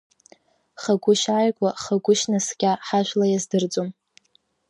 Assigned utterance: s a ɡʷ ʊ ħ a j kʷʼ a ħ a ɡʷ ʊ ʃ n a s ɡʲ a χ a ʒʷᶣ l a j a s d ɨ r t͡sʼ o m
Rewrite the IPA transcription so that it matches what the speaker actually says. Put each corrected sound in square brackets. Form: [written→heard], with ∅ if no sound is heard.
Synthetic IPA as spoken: [s→χ] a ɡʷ ʊ [ħ→ʃ] a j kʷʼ a [ħ→χ] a ɡʷ ʊ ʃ n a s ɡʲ a [χ→ħ] a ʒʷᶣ l a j a [s→z] d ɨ r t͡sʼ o m

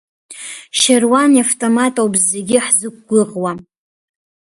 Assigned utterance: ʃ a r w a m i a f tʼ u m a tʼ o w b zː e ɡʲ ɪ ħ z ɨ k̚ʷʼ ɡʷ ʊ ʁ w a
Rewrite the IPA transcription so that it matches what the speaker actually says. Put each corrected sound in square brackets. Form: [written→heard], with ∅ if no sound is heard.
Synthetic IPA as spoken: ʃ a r w a [m→n] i a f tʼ [u→o] m a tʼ o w b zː e ɡʲ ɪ ħ z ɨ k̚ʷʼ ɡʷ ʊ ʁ w a

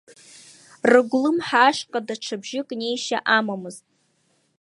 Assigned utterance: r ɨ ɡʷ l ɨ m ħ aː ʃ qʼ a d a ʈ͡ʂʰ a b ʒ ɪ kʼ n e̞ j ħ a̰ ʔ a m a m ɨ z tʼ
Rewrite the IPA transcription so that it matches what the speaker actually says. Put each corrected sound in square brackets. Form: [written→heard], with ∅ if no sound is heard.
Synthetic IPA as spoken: r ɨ ɡʷ l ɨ m ħ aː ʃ qʼ a d a ʈ͡ʂʰ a b ʒ ɪ kʼ n e̞ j [ħ→ʃ] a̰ ʔ a m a m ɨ z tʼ

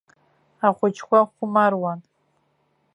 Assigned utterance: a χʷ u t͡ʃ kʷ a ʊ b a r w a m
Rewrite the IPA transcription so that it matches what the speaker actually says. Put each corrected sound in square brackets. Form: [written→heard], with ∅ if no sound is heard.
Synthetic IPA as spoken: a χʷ [u→ʊ] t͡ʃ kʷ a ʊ [b→m] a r w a [m→n]

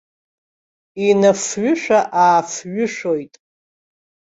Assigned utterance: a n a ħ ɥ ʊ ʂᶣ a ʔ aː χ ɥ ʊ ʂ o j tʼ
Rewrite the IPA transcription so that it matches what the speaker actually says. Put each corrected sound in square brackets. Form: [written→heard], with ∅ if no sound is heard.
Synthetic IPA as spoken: [a→i] n a [ħ→f] ɥ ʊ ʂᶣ a ʔ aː [χ→f] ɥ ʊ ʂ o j tʼ

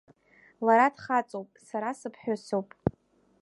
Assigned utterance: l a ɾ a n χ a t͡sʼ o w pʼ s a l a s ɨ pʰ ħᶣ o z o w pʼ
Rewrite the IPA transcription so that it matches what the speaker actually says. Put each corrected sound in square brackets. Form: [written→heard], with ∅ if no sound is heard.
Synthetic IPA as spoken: l a ɾ a [n→d] χ a t͡sʼ o w pʼ s a [l→ɾ] a s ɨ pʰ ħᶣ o [z→s] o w pʼ

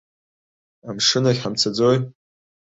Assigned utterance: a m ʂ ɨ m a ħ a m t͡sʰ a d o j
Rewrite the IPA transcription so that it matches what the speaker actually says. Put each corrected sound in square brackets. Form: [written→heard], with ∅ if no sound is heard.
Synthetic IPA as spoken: a m ʂ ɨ [m→n] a ħ a m t͡sʰ a [d→d͡z] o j

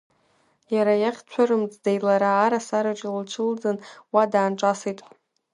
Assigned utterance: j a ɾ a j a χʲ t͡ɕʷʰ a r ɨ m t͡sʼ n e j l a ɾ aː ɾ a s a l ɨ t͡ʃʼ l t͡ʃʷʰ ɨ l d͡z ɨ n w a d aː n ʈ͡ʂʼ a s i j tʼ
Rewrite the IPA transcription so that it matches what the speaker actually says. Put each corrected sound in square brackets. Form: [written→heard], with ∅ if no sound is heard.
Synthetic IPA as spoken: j a ɾ a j a χʲ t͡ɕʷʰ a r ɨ m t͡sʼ [n→d] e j l a ɾ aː ɾ a s a [l→ɾ] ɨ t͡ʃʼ l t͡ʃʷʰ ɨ l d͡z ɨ n w a d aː n ʈ͡ʂʼ a s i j tʼ

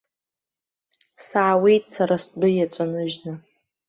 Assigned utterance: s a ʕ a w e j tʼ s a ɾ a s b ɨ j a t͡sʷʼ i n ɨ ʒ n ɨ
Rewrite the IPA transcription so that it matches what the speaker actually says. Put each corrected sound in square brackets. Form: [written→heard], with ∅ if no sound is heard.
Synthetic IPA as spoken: s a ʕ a w e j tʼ s a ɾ a s b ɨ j a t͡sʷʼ [i→a] n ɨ ʒ n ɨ

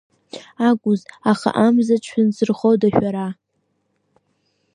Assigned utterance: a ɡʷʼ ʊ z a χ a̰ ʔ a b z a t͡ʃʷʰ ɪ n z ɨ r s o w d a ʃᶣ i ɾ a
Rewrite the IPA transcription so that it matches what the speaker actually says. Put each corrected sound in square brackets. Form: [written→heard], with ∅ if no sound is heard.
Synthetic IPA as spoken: a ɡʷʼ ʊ z a χ a̰ ʔ a [b→m] z a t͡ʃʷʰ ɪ n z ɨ r [s→χ] o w d a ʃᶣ [i→a] ɾ a

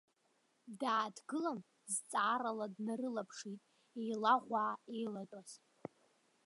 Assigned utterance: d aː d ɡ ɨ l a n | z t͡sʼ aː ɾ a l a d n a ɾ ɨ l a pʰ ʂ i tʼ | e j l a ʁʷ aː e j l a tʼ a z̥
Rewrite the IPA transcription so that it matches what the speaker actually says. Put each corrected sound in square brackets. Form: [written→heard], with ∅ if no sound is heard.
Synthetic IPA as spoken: d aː d ɡ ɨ l a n | z t͡sʼ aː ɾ a l a d n a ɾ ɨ l a pʰ ʂ i tʼ | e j l a ʁʷ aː e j l a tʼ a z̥

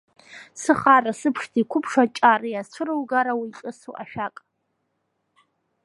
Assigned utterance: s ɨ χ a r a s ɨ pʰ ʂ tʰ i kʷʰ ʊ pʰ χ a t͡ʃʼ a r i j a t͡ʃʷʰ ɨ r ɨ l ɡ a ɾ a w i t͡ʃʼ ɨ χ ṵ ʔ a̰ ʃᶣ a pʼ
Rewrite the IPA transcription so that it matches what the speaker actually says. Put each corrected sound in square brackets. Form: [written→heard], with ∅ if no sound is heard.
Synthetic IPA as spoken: s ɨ χ a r a s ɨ pʰ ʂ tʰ i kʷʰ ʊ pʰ [χ→ʂ] a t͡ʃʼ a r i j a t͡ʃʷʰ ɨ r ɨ l ɡ a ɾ a w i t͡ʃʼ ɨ [χ→s] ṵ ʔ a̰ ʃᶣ a [pʼ→kʼ]

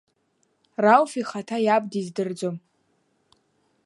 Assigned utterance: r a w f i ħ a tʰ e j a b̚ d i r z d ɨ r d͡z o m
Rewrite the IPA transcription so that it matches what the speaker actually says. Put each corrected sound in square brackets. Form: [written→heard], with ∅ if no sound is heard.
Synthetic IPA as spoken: r a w f i [ħ→χ] a tʰ [e→a] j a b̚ d i [r→∅] z d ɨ r d͡z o m

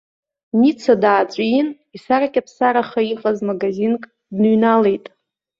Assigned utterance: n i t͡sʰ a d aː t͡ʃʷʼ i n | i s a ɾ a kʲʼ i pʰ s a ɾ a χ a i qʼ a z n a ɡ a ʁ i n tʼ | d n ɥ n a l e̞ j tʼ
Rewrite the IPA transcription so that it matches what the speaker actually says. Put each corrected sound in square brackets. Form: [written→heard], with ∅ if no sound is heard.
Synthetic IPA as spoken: n i t͡sʰ a d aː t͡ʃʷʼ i n | i s a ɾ a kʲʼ [i→a] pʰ s a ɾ a χ a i qʼ a z [n→m] a ɡ a [ʁ→z] i n [tʼ→kʼ] | d n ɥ n a l e̞ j tʼ

